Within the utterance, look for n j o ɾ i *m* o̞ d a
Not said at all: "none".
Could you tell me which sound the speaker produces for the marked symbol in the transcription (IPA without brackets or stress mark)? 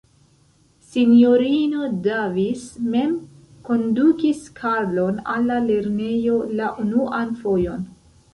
n